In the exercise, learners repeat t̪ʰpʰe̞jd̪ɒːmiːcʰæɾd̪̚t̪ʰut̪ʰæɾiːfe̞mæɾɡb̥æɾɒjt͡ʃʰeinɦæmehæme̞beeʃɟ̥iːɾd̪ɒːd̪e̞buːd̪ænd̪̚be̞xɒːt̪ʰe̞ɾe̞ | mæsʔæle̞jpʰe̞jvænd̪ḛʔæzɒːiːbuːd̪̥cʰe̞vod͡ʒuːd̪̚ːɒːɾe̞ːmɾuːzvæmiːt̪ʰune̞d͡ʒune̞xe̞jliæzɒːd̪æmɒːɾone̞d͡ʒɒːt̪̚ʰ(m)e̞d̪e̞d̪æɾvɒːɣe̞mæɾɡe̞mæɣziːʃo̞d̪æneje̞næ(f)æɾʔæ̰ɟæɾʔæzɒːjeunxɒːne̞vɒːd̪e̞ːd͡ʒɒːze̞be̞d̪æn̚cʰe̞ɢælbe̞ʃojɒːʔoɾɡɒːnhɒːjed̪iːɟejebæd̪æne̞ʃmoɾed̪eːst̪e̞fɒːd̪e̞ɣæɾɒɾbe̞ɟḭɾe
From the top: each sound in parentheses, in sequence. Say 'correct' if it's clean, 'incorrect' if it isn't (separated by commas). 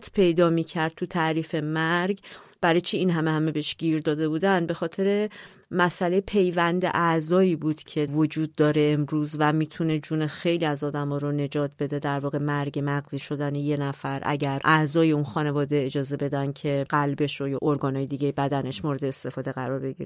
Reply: incorrect, correct